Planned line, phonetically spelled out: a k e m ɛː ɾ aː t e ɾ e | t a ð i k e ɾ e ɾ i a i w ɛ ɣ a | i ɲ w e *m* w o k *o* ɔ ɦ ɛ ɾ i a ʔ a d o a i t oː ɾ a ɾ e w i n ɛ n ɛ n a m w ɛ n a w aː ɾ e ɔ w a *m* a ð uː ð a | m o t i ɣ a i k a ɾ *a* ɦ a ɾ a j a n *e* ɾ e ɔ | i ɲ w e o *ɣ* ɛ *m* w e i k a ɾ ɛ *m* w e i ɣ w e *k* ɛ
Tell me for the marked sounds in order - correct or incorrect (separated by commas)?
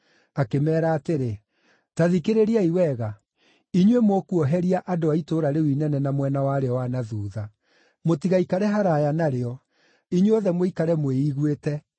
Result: correct, incorrect, incorrect, incorrect, incorrect, incorrect, correct, correct, incorrect